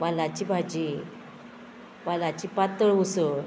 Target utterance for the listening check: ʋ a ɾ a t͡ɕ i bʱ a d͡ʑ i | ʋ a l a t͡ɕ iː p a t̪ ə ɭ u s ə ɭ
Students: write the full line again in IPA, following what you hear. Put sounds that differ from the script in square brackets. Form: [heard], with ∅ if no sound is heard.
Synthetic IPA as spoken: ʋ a [l] a t͡ɕ i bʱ a d͡ʑ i | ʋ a l a t͡ɕ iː p a t̪ ə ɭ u s ə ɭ